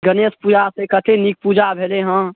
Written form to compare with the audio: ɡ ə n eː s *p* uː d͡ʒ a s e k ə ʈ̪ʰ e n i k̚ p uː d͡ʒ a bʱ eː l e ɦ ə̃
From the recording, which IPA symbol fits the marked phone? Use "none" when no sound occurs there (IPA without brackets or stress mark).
p